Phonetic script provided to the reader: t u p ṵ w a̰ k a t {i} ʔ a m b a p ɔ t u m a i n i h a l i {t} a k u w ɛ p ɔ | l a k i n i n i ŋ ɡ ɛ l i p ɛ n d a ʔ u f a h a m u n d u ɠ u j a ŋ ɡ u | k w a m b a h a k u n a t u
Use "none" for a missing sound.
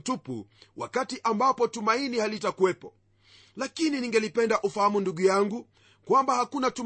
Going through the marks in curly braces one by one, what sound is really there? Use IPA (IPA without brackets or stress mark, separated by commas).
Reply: i, t